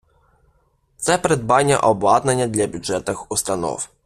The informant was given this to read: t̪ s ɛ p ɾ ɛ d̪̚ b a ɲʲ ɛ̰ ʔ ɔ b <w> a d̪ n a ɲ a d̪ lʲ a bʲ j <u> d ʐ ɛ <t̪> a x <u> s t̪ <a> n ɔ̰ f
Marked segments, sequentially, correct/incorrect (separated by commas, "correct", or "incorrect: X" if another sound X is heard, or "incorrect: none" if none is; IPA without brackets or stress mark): correct, correct, correct, correct, correct